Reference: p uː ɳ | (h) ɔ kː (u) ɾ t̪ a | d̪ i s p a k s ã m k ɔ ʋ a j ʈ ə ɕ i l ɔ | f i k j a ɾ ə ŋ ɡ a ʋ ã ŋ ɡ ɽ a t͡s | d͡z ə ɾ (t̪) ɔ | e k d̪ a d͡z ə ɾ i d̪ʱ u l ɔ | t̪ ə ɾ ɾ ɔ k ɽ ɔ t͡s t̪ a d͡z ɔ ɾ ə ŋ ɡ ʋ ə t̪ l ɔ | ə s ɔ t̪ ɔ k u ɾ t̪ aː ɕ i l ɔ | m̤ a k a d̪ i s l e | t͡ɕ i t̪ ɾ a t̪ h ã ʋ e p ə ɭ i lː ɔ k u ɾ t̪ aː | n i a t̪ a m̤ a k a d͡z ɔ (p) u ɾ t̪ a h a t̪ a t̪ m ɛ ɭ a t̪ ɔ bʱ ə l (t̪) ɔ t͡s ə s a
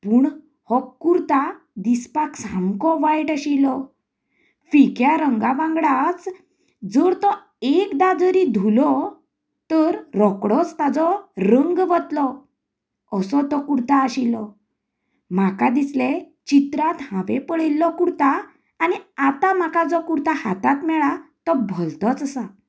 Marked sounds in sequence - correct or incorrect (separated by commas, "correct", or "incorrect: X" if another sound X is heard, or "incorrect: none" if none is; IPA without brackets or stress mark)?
correct, correct, correct, incorrect: k, correct